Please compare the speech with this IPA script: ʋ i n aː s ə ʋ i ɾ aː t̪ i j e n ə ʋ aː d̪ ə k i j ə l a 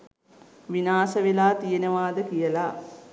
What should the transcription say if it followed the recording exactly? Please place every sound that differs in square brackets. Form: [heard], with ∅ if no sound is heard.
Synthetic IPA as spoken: ʋ i n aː s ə ʋ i [l] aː t̪ i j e n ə ʋ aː d̪ ə k i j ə l a